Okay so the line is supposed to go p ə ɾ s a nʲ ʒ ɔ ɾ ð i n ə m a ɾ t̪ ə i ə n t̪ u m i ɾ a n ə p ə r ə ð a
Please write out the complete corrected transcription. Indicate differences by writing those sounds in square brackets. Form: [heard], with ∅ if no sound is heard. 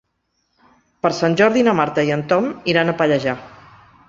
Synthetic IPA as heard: p ə ɾ s a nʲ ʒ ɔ ɾ ð i n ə m a ɾ t̪ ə i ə n t̪ [ɔ] m i ɾ a n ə p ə [ʎ] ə [ʒ] a